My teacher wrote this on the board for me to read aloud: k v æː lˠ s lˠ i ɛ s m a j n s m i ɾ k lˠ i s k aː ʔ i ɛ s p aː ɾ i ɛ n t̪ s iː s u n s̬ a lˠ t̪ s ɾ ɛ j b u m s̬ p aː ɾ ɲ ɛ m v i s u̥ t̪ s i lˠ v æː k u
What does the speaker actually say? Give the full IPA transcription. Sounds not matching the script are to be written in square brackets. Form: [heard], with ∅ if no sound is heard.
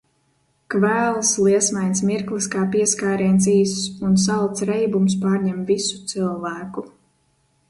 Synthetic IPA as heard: k v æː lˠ s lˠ i ɛ s m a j n s m i ɾ k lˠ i s k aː [p] i ɛ s [k] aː ɾ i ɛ n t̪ s iː s u n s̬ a lˠ t̪ s ɾ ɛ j b u m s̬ p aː ɾ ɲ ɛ m v i s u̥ t̪ s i lˠ v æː k u

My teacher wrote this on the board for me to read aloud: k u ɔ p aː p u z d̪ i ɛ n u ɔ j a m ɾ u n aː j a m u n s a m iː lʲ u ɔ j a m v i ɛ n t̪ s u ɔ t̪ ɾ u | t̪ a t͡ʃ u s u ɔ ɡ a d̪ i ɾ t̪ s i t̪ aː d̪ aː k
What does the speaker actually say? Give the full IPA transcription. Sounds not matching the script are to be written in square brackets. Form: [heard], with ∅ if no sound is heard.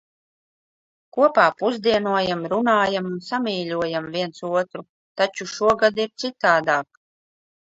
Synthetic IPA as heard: k u ɔ p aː p u z d̪ i ɛ n u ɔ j a m ɾ u n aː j a m u n s a m iː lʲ u ɔ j a m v i ɛ n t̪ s u ɔ t̪ ɾ u | t̪ a t͡ʃ u [ʃ] u ɔ ɡ a d̪ i ɾ t̪ s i t̪ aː d̪ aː k

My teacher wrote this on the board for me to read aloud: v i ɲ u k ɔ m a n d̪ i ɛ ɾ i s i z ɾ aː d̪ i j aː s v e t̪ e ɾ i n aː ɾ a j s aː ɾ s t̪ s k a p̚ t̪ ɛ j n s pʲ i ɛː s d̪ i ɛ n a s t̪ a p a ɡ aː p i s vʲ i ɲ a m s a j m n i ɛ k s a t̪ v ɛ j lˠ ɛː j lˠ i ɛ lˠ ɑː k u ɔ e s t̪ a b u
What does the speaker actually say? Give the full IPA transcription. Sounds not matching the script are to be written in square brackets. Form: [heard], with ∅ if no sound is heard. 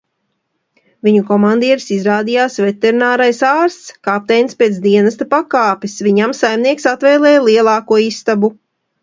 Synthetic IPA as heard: v i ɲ u k ɔ m a n d̪ i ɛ ɾ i s i z ɾ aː d̪ i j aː s v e t̪ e ɾ i n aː ɾ a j s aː ɾ s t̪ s k a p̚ t̪ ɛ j n s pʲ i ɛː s d̪ i ɛ n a s t̪ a p a [k] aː p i s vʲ i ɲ a m s a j m n i ɛ k s a t̪ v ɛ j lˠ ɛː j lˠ i ɛ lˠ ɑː k u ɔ [i] s t̪ a b u

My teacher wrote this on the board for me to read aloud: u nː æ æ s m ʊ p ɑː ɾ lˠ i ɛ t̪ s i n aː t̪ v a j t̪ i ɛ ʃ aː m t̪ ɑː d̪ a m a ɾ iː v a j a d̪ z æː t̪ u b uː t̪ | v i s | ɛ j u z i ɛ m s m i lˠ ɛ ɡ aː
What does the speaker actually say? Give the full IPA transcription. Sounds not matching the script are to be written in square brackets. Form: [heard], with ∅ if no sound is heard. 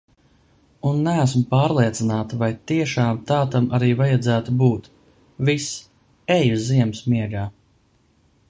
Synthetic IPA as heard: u nː æ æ s m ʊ p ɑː ɾ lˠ i ɛ t̪ s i n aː t̪ v a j t̪ i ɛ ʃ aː m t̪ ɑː [t̪] a m a ɾ iː v a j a d̪ z æː t̪ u b uː t̪ | v i s | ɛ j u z i ɛ m s m i [∅] ɛ ɡ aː

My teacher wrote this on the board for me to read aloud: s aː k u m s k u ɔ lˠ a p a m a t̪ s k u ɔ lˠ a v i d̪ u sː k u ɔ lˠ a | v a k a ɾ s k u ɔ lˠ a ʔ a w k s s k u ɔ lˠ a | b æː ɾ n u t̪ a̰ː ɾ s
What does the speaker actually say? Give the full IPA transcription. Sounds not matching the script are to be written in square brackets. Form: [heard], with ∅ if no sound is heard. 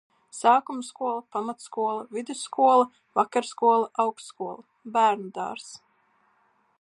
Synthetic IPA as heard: s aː k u m s k u ɔ lˠ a p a m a t̪ s k u ɔ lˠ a v i d̪ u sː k u ɔ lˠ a | v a k a ɾ s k u ɔ lˠ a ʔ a w k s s k u ɔ lˠ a | b æː ɾ n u [d̪] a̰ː ɾ s

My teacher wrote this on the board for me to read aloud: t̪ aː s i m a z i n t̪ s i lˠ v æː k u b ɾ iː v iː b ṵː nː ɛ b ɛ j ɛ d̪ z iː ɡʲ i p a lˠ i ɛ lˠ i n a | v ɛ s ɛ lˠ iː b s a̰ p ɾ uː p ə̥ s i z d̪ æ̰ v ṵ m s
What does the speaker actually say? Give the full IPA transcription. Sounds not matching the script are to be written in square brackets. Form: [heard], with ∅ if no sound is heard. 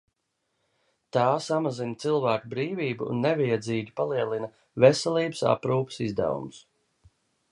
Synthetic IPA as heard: t̪ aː s [a] m a z i n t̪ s i lˠ v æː k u b ɾ iː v iː b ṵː nː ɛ [v] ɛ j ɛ d̪ z iː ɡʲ i p a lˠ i ɛ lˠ i n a | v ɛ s ɛ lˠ iː b s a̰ p ɾ uː p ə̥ s i z d̪ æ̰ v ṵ m s

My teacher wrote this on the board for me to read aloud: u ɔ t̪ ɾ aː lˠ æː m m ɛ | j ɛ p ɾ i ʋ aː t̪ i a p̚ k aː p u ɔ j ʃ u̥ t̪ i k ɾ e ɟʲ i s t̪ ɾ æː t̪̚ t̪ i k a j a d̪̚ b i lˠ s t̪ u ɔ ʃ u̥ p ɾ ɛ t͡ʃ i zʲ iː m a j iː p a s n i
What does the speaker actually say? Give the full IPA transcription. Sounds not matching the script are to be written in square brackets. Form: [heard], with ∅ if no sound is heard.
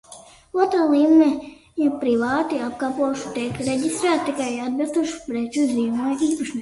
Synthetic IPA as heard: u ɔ t̪ ɾ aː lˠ [iː] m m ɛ | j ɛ p ɾ i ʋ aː t̪ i a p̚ k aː p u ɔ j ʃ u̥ t̪ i k ɾ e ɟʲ i s t̪ ɾ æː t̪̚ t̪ i k a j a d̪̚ b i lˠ s t̪ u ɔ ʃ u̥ p ɾ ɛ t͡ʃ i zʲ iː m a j iː p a [ʃ] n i

